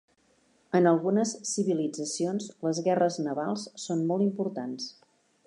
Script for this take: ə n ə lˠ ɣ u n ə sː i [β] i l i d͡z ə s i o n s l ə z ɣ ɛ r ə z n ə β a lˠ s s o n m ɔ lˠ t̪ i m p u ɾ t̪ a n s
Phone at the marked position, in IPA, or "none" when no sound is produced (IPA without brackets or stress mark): β